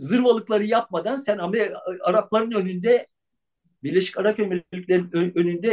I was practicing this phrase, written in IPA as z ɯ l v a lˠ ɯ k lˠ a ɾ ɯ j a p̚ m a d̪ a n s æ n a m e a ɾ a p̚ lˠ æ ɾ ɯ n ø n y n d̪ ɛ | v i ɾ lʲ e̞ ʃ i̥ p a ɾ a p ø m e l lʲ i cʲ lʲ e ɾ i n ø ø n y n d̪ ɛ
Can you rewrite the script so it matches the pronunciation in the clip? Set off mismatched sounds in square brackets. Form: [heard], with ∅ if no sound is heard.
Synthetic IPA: z ɯ [ɾ] v a lˠ ɯ k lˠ a ɾ ɯ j a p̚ m a d̪ a n s æ n a m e a ɾ a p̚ lˠ [a] ɾ ɯ n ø n y n d̪ ɛ | [b] i ɾ lʲ e̞ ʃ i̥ [c] a ɾ a p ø m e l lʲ i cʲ lʲ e ɾ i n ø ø n y n d̪ ɛ